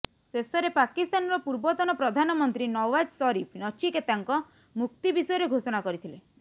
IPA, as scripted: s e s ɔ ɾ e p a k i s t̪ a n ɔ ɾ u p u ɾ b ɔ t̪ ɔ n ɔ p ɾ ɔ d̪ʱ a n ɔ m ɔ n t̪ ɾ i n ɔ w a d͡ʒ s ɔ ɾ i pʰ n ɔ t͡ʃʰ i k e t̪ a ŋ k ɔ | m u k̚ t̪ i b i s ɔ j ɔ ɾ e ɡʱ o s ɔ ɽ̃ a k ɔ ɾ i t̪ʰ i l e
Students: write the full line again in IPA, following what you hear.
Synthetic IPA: s e s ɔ ɾ e p a k i s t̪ a n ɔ ɾ ɔ p u ɾ b ɔ t̪ ɔ n ɔ p ɾ ɔ d̪ʱ a n ɔ m ɔ n t̪ ɾ i n ɔ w a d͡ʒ s ɔ ɾ i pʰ n ɔ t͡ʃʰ i k e t̪ a ŋ k ɔ | m u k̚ t̪ i b i s ɔ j ɔ ɾ e ɡʱ o s ɔ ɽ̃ a k ɔ ɾ i t̪ʰ i l e